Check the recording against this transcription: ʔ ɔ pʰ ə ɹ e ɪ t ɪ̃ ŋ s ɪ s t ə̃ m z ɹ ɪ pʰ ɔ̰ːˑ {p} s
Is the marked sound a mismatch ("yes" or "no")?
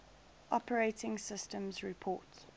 yes